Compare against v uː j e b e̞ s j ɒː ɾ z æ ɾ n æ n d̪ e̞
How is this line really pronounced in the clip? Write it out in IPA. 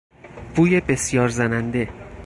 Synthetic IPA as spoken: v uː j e b e̞ s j ɒː ɾ z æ n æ n d̪ e̞